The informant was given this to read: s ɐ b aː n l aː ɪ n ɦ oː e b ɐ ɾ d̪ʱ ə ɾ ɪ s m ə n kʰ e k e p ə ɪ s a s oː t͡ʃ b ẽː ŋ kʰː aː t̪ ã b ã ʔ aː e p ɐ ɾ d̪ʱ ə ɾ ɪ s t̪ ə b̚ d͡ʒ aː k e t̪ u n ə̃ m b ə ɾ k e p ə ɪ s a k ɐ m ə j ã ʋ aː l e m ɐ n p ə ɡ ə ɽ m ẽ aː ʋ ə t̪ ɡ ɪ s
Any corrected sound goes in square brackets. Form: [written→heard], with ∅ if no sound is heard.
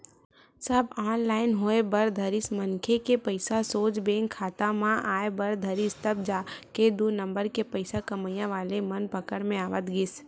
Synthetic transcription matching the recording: s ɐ b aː n l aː ɪ n ɦ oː e b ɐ ɾ d̪ʱ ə ɾ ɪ s m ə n kʰ e k e p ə ɪ s a s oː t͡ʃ b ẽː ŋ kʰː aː t̪ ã [b→m] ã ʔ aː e [p→b] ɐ ɾ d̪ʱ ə ɾ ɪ s t̪ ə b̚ d͡ʒ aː k e [t̪→d̪] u n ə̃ m b ə ɾ k e p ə ɪ s a k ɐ m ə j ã ʋ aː l e m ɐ n p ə [ɡ→k] ə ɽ m ẽ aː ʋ ə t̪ ɡ ɪ s